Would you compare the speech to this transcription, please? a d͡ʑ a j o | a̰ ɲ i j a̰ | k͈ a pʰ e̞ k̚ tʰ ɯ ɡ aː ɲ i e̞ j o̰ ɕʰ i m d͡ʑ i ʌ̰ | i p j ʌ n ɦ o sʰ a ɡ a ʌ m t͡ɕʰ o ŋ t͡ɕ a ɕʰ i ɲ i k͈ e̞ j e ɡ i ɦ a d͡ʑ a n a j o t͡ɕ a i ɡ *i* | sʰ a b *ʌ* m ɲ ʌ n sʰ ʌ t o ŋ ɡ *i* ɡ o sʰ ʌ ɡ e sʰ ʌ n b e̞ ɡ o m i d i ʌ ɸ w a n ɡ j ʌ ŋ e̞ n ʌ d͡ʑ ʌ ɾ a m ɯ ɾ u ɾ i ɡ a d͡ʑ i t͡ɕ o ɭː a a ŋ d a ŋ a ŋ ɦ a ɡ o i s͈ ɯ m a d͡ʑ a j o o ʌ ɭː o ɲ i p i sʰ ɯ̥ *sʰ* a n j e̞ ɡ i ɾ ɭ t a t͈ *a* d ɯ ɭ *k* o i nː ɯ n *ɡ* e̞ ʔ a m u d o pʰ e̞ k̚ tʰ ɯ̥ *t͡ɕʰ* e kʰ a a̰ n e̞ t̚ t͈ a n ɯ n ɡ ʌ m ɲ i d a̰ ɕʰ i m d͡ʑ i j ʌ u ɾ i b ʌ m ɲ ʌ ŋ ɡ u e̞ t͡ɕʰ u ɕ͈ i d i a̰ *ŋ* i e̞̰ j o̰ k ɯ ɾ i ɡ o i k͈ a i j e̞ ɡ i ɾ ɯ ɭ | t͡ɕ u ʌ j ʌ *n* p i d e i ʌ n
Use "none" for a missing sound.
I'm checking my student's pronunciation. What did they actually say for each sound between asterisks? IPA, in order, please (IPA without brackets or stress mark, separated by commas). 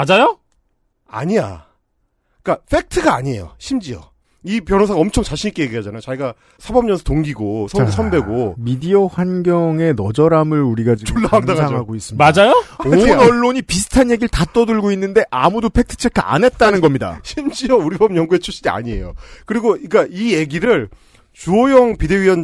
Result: a, ʌ, i, tʰ, ʌ, ɡ, d, t͡ɕʰ, ɲ, ŋ